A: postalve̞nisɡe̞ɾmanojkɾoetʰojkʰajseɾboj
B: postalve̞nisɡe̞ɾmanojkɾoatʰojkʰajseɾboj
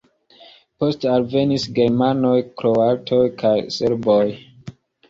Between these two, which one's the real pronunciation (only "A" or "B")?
B